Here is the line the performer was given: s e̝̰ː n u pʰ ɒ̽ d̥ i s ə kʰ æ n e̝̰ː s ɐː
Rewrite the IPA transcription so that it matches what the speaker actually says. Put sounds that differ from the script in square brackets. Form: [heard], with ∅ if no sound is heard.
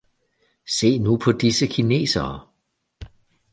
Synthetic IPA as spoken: s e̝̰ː n u pʰ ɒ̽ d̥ i s ə kʰ [i] n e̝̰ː s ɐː

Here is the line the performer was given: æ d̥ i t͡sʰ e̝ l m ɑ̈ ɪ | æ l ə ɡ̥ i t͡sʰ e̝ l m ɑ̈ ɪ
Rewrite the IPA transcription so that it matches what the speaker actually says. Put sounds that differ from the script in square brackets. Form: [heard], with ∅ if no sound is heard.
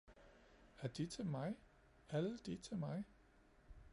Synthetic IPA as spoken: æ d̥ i t͡sʰ e̝ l m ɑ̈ ɪ | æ l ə [d̥] i t͡sʰ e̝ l m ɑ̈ ɪ

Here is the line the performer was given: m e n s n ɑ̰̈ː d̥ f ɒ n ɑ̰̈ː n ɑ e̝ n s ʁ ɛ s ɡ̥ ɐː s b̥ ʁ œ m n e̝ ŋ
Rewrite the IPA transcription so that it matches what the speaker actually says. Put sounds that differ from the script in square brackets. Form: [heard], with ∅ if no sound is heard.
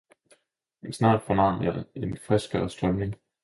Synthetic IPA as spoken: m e n s n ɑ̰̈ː d̥ f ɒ n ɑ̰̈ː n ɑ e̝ n [f] ʁ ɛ s ɡ̥ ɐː s [d̥] ʁ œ m n e̝ ŋ

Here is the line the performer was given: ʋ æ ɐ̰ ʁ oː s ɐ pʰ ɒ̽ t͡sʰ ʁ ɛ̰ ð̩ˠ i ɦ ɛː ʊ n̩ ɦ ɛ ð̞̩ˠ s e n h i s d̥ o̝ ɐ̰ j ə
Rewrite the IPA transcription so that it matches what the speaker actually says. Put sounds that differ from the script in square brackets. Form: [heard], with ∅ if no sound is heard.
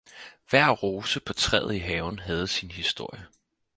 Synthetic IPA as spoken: ʋ æ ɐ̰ ʁ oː s [ə] pʰ ɒ̽ t͡sʰ ʁ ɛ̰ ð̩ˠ i ɦ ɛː ʊ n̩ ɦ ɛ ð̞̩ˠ s [i] n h i s d̥ o̝ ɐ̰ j ə

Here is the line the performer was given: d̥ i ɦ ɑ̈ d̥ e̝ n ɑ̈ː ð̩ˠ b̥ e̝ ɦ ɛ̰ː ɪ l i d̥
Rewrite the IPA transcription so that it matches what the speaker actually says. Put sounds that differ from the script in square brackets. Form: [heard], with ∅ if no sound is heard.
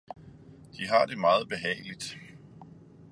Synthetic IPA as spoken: d̥ i ɦ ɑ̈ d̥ e̝ [m] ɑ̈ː ð̩ˠ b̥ e̝ ɦ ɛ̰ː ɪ l i d̥

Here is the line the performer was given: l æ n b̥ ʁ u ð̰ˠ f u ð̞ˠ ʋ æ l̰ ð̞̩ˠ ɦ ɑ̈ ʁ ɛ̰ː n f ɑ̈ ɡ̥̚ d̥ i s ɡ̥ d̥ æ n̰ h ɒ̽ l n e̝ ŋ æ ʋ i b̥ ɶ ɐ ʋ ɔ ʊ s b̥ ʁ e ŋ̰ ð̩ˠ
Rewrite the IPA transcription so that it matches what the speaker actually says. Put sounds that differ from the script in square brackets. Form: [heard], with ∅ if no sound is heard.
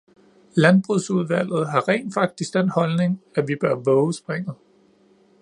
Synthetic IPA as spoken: l æ n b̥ ʁ u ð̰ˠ [s] u ð̞ˠ ʋ æ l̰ ð̞̩ˠ ɦ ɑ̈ ʁ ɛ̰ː n f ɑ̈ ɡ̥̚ d̥ i s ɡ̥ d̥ [e] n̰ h ɒ̽ l n e̝ ŋ æ ʋ i b̥ ɶ ɐ ʋ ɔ ʊ s b̥ ʁ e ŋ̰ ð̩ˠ

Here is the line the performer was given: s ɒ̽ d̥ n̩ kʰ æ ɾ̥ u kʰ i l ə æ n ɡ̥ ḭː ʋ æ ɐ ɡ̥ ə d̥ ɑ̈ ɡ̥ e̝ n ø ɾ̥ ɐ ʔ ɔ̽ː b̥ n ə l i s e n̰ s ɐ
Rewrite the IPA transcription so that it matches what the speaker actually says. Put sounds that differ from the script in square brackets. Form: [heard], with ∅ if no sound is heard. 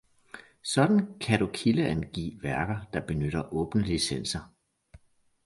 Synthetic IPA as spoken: s ɒ̽ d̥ n̩ kʰ æ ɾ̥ u kʰ i l ə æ n ɡ̥ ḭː ʋ æ ɐ ɡ̥ [ɐ] d̥ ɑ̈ [b̥] e̝ n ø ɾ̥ ɐ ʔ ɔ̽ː b̥ n ə l i s e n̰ s ɐ

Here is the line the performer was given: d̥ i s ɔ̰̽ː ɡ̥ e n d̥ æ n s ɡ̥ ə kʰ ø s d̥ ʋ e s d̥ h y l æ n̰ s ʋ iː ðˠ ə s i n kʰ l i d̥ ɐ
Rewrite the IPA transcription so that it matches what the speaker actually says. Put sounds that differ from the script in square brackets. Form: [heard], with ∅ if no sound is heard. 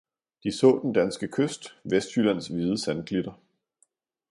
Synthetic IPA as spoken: d̥ i s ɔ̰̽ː [d̥] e n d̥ æ n s ɡ̥ ə kʰ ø s d̥ ʋ e s d̥ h y l æ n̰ s ʋ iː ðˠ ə s [æ] n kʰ l i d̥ ɐ

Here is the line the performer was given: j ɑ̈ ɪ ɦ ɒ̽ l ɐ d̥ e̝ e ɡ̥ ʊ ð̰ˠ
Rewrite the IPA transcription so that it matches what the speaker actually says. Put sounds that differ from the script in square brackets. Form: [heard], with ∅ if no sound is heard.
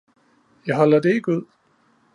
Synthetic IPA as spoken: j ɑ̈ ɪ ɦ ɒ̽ l ɐ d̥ e̝ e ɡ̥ [u] ð̰ˠ

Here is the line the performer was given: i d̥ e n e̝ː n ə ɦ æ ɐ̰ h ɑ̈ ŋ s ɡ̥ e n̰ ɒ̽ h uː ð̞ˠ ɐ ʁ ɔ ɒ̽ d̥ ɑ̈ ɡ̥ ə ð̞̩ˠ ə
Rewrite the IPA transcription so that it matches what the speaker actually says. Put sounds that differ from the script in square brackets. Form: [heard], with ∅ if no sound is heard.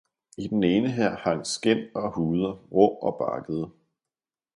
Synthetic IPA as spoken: i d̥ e n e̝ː n ə ɦ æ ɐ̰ h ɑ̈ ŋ s ɡ̥ e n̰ ɒ̽ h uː ð̞ˠ ɐ ʁ ɔ ɒ̽ [b̥] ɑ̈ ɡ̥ ə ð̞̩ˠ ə

